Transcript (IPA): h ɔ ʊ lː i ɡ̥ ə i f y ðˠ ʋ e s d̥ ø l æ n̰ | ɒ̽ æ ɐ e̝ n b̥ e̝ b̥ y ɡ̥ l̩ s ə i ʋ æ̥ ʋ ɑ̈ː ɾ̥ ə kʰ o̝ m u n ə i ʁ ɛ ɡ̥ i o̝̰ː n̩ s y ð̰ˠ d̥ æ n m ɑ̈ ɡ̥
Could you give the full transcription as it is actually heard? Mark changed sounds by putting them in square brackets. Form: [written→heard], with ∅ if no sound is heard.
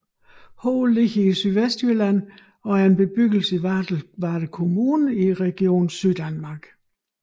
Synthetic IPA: h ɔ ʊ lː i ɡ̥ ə i [f→s] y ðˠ ʋ e s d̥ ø l æ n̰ | ɒ̽ æ ɐ e̝ n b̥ e̝ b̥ y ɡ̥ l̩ s ə i ʋ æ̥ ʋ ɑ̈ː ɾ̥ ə kʰ o̝ m [u→uː] n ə i ʁ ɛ ɡ̥ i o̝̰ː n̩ s y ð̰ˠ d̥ æ n m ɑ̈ ɡ̥